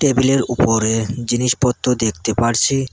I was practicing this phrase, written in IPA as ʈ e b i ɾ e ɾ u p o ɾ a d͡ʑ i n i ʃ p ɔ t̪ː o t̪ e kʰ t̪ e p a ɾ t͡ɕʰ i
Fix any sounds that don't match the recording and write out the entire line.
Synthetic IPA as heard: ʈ e b i l e ɾ u p o ɾ e d͡ʑ i n i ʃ p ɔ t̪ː o d̪ e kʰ t̪ e p a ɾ t͡ɕʰ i